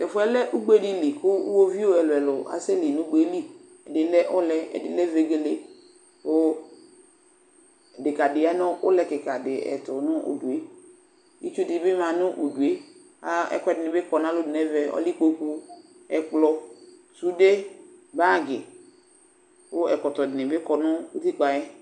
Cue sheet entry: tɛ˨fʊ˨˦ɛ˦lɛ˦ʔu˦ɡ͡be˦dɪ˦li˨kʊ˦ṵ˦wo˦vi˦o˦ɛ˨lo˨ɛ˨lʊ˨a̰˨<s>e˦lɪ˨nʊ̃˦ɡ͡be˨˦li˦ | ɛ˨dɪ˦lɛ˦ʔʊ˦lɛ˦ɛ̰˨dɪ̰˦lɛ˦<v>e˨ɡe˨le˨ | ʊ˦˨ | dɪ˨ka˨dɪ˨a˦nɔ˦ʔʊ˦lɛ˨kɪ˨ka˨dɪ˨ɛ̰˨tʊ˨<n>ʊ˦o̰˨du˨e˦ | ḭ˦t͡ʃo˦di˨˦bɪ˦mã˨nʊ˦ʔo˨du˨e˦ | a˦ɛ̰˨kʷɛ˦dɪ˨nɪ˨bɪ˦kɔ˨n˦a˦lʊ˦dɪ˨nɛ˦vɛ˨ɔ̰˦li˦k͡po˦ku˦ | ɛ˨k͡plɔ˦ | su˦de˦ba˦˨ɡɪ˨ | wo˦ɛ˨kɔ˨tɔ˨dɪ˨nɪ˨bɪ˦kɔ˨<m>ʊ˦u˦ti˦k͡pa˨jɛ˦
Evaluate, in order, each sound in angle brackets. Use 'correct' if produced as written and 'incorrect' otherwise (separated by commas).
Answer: correct, correct, correct, incorrect